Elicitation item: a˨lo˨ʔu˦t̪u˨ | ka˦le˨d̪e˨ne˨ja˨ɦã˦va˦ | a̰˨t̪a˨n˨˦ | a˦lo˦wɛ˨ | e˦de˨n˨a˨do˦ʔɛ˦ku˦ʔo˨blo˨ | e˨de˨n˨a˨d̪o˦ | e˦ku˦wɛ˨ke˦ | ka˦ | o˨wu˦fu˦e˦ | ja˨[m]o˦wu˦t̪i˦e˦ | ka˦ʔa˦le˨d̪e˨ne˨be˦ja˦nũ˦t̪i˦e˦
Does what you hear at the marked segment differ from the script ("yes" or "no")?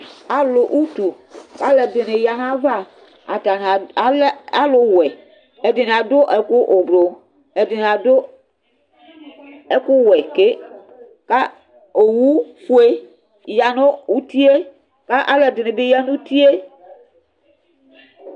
yes